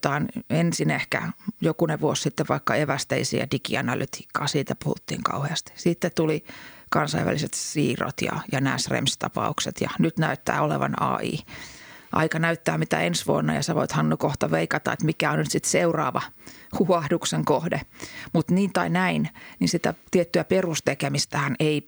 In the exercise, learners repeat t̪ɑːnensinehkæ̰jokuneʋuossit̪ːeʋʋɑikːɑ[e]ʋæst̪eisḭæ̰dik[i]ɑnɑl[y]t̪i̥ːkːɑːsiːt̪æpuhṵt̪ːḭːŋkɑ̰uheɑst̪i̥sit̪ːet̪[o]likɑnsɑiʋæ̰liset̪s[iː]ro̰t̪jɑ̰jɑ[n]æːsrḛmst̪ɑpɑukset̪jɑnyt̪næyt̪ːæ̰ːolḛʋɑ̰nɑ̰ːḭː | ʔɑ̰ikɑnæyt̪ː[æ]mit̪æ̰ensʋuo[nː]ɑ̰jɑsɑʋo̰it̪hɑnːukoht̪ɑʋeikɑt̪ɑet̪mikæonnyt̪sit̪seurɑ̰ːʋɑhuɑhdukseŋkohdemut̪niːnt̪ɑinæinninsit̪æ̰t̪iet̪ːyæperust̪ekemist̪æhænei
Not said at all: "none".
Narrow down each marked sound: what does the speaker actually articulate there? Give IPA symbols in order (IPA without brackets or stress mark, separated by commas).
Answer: e, i, y, u, iː, n, æː, nː